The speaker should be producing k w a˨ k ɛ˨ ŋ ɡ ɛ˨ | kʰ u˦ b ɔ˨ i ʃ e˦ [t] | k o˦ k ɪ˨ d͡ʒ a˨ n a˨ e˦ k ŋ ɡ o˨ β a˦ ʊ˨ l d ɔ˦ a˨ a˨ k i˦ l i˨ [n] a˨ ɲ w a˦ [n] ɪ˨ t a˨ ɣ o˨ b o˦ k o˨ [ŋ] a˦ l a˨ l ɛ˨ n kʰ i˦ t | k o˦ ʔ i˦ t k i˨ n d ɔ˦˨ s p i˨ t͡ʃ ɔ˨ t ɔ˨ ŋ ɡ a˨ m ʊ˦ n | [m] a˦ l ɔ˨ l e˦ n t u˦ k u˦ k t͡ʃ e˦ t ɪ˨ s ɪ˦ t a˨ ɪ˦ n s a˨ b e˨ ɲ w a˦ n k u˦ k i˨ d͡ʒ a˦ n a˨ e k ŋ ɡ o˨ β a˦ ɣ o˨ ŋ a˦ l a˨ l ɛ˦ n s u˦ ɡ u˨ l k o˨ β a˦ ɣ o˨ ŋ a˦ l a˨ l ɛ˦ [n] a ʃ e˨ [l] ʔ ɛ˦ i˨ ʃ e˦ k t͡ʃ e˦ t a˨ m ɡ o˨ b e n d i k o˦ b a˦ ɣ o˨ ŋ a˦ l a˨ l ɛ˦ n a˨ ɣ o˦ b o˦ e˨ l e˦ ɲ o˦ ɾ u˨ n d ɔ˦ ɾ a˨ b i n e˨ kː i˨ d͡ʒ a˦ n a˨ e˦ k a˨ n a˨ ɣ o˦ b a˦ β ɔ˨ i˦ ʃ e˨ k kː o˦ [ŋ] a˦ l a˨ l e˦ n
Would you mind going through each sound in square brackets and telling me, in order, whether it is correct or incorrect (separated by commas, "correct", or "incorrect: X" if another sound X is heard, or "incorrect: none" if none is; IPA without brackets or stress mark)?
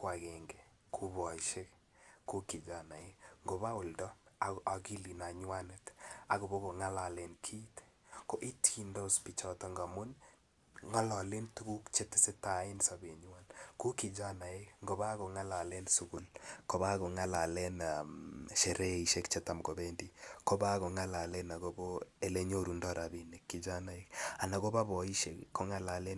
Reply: incorrect: k, correct, correct, correct, incorrect: ŋ, correct, incorrect: ɾ, correct